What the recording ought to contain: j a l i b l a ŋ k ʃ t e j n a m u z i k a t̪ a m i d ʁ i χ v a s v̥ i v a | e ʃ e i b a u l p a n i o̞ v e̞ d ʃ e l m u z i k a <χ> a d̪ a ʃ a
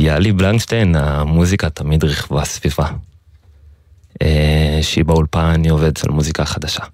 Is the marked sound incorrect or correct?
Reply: correct